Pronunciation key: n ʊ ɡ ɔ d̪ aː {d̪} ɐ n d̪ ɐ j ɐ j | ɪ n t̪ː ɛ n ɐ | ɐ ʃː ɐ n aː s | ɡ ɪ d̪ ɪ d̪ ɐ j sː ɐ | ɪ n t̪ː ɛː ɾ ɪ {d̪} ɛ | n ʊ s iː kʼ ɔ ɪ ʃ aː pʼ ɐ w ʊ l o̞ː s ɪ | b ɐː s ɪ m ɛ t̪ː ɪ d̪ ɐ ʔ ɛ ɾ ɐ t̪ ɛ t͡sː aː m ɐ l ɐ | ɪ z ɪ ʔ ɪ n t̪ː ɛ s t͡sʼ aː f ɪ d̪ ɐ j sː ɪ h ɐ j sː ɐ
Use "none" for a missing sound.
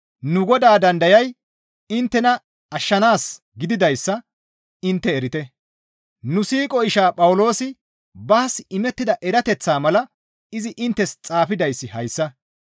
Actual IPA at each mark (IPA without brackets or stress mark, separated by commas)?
d̪, t̪